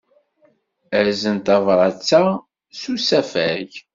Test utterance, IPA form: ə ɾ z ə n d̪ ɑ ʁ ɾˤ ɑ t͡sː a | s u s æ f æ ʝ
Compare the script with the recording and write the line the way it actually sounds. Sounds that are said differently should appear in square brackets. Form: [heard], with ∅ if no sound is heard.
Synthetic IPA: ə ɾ z ə n [t̪] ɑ [v] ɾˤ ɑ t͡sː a | s u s æ f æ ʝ